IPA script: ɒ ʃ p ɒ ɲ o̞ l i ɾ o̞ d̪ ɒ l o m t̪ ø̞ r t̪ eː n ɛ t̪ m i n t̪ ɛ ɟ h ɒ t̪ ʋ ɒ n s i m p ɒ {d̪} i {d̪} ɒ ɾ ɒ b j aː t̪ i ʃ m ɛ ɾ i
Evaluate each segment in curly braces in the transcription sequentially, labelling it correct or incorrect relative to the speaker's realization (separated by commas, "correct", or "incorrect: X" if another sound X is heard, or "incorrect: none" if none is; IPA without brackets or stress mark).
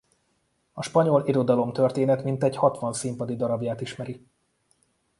correct, correct